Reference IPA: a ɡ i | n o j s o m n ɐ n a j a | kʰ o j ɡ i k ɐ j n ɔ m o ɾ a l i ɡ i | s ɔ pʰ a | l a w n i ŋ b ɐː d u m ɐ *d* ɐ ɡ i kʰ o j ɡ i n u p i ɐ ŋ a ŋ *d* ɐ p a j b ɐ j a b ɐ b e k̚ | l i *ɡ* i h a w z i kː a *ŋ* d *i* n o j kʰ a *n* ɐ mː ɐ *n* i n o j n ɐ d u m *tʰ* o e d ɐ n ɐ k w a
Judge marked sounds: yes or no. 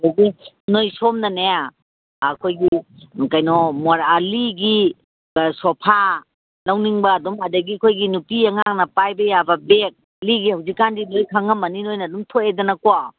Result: yes, no, yes, no, yes, no, yes, yes

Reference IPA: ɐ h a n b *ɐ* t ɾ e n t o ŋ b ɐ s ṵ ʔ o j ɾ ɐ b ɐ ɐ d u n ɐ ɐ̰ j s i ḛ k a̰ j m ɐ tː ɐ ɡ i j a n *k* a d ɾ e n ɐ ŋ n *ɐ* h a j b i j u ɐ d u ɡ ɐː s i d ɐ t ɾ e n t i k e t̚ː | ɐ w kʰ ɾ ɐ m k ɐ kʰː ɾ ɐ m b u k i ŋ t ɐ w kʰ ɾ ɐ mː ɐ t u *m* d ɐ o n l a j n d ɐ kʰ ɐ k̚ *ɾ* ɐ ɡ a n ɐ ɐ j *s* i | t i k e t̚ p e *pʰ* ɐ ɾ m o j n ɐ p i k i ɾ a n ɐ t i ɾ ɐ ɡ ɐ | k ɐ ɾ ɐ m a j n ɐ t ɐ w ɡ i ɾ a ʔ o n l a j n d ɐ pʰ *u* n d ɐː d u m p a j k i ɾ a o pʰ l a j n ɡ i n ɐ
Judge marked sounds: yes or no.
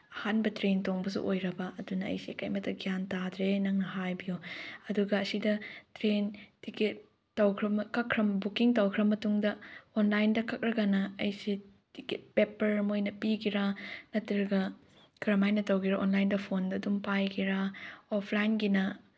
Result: yes, no, yes, no, yes, yes, no, no

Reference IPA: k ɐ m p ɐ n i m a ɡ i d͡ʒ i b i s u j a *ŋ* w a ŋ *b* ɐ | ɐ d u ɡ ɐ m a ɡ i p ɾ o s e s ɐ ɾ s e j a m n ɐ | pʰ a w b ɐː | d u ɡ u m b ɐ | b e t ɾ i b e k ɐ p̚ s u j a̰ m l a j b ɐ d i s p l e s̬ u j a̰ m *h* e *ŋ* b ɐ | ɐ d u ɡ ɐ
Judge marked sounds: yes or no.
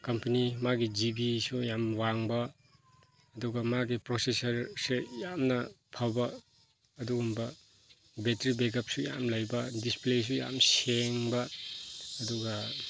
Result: no, yes, no, yes

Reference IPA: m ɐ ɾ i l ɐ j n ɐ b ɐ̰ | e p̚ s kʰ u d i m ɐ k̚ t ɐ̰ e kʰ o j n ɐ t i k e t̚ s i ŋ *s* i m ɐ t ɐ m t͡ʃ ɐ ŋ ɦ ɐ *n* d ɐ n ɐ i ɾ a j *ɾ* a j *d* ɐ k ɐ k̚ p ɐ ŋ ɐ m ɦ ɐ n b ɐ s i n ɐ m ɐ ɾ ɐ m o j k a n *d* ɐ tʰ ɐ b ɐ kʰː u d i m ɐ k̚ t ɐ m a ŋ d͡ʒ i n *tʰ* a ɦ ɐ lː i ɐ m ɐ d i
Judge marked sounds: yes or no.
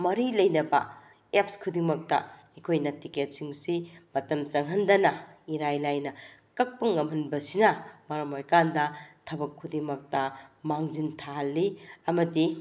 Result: yes, yes, no, no, yes, yes

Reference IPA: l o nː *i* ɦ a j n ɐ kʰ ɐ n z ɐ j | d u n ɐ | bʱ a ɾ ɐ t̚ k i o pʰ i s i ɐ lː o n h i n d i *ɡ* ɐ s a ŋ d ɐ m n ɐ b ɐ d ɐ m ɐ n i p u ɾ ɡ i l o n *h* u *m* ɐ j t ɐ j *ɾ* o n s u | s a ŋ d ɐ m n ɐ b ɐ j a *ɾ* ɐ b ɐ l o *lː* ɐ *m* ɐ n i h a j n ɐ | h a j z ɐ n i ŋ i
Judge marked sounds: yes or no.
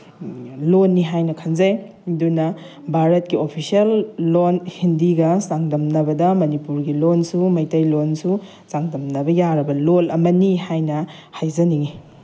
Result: yes, yes, no, yes, no, yes, no, yes

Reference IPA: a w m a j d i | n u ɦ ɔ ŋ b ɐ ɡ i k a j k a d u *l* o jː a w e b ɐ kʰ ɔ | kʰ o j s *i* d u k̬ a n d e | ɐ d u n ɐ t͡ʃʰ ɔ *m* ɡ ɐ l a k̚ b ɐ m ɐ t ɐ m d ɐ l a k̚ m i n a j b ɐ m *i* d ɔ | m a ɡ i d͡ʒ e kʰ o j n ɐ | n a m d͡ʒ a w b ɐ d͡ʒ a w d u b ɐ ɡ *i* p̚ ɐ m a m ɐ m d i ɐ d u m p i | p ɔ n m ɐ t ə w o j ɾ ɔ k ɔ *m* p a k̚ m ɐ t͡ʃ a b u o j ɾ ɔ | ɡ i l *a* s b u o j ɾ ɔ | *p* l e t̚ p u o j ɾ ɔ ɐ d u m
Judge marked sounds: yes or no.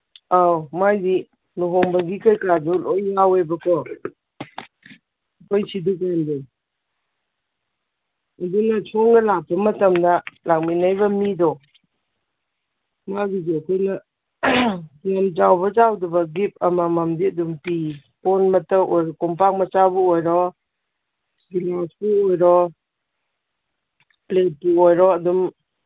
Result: yes, yes, no, yes, yes, yes, yes, yes

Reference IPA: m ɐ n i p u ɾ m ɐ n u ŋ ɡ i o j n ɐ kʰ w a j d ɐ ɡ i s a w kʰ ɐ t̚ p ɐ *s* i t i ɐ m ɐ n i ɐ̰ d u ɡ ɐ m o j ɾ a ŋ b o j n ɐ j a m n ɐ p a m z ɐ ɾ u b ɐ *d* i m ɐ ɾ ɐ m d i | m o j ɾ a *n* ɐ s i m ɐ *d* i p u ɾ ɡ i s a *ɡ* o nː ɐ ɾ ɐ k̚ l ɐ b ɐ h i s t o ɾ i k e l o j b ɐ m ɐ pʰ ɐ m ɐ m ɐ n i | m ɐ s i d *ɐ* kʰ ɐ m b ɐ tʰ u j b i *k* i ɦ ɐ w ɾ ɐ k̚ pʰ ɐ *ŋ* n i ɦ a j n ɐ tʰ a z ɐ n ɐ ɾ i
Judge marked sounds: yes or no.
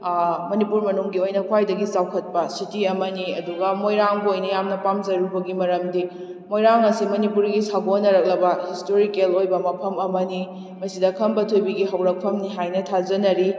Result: yes, no, no, no, yes, yes, no, no

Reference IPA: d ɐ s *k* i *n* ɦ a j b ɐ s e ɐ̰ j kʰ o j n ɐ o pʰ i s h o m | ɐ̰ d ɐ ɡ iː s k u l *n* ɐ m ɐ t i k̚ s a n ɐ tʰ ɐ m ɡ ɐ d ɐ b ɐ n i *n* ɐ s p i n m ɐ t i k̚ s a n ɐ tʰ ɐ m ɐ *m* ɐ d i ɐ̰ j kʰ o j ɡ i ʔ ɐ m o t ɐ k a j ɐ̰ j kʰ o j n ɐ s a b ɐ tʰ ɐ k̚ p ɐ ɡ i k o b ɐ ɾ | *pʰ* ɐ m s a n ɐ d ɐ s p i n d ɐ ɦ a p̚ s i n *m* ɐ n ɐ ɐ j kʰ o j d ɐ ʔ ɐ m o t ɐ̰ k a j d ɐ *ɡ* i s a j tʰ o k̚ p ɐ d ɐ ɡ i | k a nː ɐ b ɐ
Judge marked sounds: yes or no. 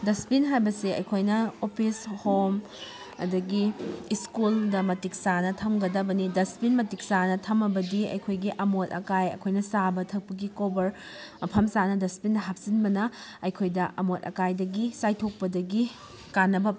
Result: no, yes, no, no, no, yes, no, yes

